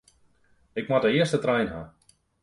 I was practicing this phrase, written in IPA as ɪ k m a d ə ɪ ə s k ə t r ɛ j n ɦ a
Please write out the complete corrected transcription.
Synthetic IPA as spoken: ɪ k m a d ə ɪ ə s t ə t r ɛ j n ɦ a